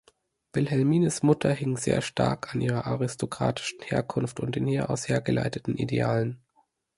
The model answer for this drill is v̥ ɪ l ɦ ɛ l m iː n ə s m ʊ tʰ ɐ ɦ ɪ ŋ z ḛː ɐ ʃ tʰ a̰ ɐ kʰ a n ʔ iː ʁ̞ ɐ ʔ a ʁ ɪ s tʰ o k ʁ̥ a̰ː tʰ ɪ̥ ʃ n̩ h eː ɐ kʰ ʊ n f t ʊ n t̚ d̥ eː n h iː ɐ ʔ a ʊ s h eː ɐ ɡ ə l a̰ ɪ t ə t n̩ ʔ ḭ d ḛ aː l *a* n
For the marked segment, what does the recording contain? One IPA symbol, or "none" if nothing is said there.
ə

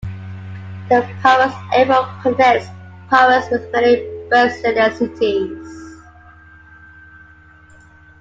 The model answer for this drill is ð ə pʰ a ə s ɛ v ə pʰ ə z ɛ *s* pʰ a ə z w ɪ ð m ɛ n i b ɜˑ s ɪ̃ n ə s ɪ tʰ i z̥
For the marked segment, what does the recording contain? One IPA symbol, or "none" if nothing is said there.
s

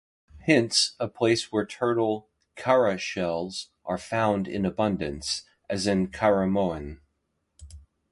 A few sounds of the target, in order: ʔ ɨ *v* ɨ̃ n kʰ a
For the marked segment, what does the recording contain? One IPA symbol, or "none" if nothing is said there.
z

